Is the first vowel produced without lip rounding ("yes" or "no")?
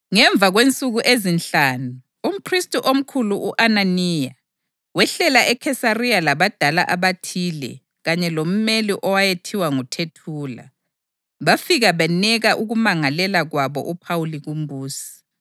yes